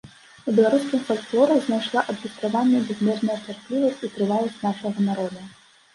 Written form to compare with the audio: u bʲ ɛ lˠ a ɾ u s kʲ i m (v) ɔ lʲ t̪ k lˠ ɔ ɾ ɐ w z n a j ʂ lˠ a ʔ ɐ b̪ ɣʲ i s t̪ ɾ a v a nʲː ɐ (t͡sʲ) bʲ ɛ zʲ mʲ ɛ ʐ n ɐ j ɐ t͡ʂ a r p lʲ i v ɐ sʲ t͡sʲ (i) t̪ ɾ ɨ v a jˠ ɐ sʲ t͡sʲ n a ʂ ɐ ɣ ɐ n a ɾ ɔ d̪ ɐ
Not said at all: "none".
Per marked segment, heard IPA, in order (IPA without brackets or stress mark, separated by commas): f, none, i